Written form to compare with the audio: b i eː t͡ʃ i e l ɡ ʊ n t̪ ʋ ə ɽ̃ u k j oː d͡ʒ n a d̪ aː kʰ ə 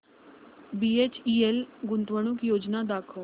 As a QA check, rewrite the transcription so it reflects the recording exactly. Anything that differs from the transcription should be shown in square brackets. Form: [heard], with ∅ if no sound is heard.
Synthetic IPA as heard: b i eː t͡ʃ i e l ɡ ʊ n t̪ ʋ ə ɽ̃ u k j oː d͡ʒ n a d̪ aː kʰ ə